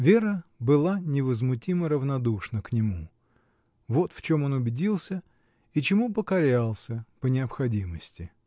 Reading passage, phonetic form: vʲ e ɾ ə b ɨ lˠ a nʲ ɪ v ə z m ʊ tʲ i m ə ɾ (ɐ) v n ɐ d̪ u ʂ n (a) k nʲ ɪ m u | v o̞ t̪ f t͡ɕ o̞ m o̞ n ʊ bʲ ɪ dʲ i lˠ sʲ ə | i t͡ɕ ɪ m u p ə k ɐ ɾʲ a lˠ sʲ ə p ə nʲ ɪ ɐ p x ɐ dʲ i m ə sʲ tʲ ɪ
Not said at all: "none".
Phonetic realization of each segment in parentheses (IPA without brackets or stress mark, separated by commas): ə, ə